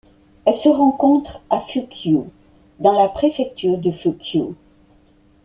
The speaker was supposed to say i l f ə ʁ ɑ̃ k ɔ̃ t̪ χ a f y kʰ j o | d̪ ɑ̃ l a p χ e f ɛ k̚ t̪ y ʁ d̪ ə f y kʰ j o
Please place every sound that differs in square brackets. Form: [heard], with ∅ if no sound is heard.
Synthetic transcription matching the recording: [ɛ] l [s] ə ʁ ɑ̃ k ɔ̃ t̪ χ a f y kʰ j o | d̪ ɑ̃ l a p χ e f ɛ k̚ t̪ y ʁ d̪ ə f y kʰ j o